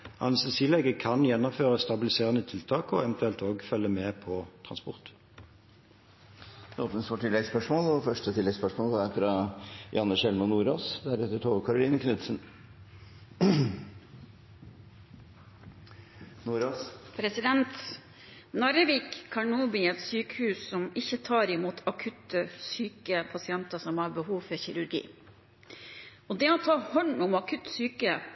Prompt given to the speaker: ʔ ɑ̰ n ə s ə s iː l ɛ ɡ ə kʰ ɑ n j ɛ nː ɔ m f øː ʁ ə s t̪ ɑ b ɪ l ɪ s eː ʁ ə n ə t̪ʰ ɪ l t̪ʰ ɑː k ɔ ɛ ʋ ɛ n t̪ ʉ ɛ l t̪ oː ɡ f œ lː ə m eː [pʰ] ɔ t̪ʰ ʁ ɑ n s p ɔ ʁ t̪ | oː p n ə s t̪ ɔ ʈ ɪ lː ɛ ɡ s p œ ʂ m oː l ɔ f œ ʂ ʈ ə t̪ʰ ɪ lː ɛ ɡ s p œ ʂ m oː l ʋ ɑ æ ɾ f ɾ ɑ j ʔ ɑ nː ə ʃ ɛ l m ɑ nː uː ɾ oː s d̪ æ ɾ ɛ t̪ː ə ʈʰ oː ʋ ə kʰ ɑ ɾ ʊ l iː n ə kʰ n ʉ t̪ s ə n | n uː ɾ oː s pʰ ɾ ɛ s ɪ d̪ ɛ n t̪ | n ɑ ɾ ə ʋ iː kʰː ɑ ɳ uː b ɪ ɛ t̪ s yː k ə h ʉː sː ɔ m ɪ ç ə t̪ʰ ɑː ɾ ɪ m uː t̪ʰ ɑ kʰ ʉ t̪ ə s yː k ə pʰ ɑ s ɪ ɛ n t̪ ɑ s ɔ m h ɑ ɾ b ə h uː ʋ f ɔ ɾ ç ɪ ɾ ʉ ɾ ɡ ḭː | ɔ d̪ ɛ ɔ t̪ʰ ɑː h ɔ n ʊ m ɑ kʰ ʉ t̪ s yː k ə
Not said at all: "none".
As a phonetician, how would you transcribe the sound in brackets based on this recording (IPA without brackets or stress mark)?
pʰ